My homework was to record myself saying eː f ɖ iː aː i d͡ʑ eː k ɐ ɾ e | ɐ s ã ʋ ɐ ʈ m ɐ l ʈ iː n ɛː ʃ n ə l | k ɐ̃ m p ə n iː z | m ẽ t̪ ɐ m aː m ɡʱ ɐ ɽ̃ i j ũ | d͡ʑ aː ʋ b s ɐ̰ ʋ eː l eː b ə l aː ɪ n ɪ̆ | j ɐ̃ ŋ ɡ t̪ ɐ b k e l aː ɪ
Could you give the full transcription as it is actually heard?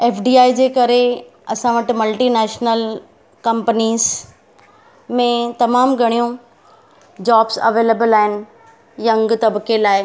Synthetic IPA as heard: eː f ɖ iː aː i d͡ʑ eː k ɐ ɾ e | ɐ s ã ʋ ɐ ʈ m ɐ l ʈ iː n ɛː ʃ n ə l | k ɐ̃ m p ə n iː z | m ẽ t̪ ɐ m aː m ɡʱ ɐ ɽ̃ i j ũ | d͡ʑ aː b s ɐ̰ ʋ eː l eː b ə l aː ɪ n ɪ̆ | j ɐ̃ ŋ ɡ t̪ ɐ b k e l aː ɪ